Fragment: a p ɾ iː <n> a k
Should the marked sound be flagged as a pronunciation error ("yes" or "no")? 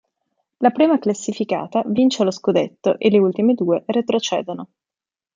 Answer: yes